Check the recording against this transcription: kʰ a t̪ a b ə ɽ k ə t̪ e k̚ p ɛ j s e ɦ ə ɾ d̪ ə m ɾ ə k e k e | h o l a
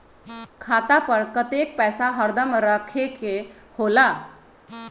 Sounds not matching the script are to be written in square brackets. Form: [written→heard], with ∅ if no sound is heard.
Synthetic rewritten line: kʰ a t̪ a [b→p] ə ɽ k ə t̪ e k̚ p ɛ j s [e→a] ɦ ə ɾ d̪ ə m ɾ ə [k→kʰ] e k e | h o l a